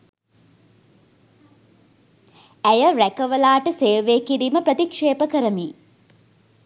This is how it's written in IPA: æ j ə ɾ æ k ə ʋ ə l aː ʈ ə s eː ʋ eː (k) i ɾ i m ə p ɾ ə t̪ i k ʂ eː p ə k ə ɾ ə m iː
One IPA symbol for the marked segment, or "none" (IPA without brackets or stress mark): k